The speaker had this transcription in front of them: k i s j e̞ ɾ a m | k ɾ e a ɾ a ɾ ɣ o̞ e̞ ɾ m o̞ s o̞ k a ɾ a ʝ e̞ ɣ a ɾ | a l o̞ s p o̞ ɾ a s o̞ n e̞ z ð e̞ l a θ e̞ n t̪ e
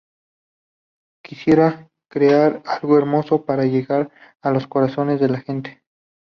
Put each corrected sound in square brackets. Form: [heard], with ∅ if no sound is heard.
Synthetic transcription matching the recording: k i s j e̞ ɾ a [∅] | k ɾ e a ɾ a [l] ɣ o̞ e̞ ɾ m o̞ s o̞ [p] a ɾ a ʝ e̞ ɣ a ɾ | a l o̞ s [k] o̞ ɾ a s o̞ n e̞ z ð e̞ l a [x] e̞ n t̪ e